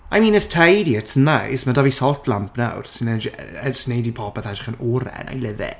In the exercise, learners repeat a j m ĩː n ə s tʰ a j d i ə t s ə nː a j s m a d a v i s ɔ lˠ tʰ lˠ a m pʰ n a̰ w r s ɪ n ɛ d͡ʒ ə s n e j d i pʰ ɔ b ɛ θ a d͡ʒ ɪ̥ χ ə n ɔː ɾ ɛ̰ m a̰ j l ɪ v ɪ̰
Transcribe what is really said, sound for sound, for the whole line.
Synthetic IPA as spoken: a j m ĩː n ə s tʰ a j d i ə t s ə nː a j s m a d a v i s ɔ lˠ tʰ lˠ a m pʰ n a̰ w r s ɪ n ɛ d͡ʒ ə s n e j d i pʰ ɔ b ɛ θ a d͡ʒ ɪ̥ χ ə n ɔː ɾ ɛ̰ n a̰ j l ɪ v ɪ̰

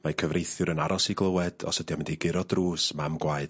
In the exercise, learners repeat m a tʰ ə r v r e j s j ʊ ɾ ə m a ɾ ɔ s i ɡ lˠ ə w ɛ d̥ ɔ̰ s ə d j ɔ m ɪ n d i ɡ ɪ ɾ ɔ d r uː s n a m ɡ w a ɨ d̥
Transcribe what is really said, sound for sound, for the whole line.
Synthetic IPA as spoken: m a kʰ ə v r e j θ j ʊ ɾ ə n a ɾ ɔ s i ɡ lˠ ə w ɛ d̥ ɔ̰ s ə d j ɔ m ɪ n d i ɡ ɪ ɾ ɔ d r uː s m a m ɡ w a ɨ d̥

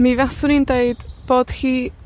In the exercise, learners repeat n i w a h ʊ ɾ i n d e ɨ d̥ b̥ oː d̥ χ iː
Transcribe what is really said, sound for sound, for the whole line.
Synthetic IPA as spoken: m i v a s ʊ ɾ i n d e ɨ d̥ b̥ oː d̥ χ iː

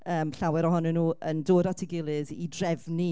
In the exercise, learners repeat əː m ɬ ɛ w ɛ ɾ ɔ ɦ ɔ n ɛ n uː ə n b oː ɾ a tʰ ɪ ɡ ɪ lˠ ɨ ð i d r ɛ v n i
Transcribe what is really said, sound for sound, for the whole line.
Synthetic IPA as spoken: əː m ɬ a w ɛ ɾ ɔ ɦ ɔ n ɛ n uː ə n d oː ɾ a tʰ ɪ ɡ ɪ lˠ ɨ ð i d r ɛ v n i

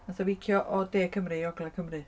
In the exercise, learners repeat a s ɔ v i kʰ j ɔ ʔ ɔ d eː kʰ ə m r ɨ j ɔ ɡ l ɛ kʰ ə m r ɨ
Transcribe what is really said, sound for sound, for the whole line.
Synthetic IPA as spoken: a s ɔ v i kʰ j ɔ ʔ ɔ d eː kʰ ə m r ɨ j ɔ ɡ l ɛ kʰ ə m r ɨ

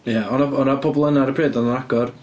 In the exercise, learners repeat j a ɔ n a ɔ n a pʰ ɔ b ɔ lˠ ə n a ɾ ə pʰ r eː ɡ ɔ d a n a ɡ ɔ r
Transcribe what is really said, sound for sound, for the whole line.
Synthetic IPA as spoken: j a ɔ n a ɔ n a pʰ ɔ b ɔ lˠ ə n a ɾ ə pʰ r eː d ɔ n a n a ɡ ɔ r

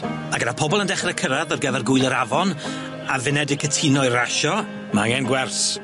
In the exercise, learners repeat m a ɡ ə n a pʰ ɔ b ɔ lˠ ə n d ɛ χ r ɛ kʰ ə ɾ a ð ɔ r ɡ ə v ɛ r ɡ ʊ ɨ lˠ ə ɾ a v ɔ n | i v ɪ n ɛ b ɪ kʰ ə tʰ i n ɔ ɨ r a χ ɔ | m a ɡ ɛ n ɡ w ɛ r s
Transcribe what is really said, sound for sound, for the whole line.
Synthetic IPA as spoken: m a ɡ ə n a pʰ ɔ b ɔ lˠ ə n d ɛ χ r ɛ kʰ ə ɾ a ð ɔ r ɡ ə v ɛ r ɡ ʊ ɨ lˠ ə ɾ a v ɔ n | a v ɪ n ɛ d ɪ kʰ ə tʰ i n ɔ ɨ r a ʃ ɔ | m a ŋ ɛ n ɡ w ɛ r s

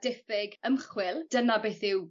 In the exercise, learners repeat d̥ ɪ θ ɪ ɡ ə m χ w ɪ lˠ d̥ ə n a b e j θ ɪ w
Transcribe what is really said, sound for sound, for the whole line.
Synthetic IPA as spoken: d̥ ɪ f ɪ ɡ ə m χ w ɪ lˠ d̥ ə n a b e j θ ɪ w

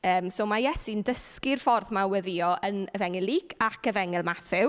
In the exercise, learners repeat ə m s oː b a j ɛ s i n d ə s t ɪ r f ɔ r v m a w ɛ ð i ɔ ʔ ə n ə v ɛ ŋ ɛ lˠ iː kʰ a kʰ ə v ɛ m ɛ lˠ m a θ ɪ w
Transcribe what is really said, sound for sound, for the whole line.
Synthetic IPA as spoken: əː m s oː m a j ɛ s i n d ə s k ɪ r f ɔ r ð m a w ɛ ð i ɔ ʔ ə n ə v ɛ ŋ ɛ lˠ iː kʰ a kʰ ə v ɛ ŋ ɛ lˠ m a θ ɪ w

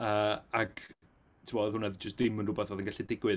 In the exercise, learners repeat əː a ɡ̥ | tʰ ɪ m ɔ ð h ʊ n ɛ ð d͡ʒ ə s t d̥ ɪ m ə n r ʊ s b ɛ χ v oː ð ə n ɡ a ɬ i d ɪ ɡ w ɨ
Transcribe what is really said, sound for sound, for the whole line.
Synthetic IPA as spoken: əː a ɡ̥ | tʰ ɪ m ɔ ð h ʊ n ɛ ð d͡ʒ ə s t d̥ ɪ m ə n r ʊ b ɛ θ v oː ð ə n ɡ a ɬ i d ɪ ɡ w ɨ

